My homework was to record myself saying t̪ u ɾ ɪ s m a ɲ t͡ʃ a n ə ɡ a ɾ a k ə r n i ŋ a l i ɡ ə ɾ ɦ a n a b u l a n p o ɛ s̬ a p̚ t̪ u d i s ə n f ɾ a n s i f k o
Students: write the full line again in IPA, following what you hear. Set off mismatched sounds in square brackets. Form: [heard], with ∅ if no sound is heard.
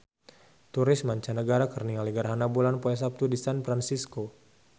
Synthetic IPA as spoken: t̪ u ɾ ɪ s m a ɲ t͡ʃ a n ə ɡ a ɾ a k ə r n i ŋ a l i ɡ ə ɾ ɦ a n a b u l a n p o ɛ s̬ a p̚ t̪ u d i s [a] n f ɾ a n s i [s] k o

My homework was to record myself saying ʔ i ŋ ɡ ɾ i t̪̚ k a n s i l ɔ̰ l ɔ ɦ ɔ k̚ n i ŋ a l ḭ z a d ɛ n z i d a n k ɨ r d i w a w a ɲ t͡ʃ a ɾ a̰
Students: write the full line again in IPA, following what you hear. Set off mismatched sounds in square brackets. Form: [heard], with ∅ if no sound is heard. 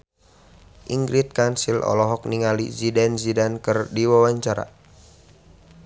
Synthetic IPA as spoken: ʔ i ŋ ɡ ɾ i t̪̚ k a n s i l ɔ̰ l ɔ ɦ ɔ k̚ n i ŋ a l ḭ z [i] d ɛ n z i d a n k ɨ r d i w a w a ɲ t͡ʃ a ɾ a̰

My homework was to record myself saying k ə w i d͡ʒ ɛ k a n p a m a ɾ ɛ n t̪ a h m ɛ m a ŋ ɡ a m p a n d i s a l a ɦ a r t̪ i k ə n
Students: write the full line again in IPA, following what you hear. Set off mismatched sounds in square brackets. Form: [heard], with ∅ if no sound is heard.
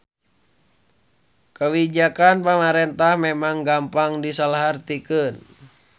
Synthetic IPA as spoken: k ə w i d͡ʒ [a] k a n p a m a ɾ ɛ n t̪ a h m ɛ m a ŋ ɡ a m p a [ŋ] d i s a l a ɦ a r t̪ i k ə n

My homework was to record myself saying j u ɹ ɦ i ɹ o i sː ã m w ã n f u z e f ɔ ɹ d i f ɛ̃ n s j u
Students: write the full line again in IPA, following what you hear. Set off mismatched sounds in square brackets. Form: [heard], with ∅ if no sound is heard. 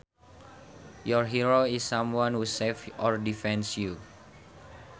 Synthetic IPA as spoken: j [ɔ] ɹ ɦ i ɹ o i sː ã m w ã n [h] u [s] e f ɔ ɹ d i f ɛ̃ n s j u

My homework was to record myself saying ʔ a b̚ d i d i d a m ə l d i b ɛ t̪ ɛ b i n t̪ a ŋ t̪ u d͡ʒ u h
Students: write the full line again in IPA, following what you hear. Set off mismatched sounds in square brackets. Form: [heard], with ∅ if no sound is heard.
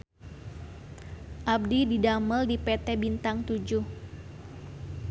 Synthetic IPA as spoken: ʔ a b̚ d i d i d a m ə l d i [p] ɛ t̪ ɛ b i n t̪ a ŋ t̪ u d͡ʒ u h

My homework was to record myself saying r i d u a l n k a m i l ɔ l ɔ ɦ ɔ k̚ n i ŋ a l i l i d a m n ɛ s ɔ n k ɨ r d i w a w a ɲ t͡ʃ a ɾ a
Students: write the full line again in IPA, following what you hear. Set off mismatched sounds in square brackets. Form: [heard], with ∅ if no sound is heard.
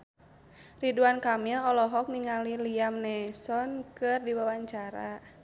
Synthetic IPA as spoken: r i d u a [∅] n k a m i l ɔ l ɔ ɦ ɔ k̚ n i ŋ a l i l i [∅] a m n ɛ s ɔ n k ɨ r d i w a w a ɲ t͡ʃ a ɾ a

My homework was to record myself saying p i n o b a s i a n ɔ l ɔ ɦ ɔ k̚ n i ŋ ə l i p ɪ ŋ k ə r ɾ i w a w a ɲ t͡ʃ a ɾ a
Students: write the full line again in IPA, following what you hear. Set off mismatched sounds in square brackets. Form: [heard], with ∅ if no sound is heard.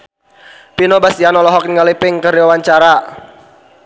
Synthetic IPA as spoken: p i n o b a s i a n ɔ l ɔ ɦ ɔ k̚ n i ŋ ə l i p ɪ ŋ k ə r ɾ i w a w a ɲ t͡ʃ a ɾ a

